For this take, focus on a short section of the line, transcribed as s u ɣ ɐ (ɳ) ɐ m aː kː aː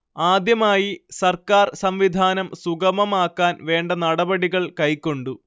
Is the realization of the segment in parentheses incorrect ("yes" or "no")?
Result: yes